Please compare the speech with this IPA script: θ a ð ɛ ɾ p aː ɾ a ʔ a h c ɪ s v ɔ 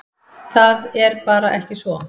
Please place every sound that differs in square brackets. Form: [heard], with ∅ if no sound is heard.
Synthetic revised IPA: θ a ð ɛ ɾ p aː ɾ a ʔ [ɛ] h c ɪ s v ɔ